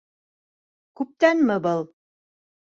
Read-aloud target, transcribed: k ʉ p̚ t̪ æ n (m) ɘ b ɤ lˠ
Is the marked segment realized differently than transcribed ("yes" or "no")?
no